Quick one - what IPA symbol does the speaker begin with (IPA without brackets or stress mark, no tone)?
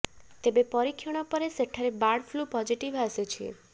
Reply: t̪